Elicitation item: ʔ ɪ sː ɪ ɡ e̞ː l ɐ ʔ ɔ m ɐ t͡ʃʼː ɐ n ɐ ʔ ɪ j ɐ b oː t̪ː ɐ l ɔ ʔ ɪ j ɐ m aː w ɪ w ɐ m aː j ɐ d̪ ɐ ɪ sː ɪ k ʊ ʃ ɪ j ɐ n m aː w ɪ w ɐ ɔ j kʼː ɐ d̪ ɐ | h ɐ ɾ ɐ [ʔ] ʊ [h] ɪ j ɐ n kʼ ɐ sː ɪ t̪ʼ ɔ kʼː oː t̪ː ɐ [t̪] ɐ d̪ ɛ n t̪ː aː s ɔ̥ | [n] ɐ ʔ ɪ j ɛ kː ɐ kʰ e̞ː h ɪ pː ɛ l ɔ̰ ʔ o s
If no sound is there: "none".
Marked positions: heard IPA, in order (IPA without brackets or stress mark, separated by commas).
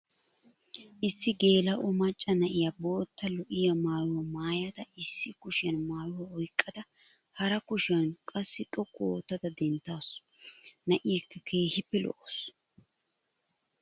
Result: k, ʃ, d̪, n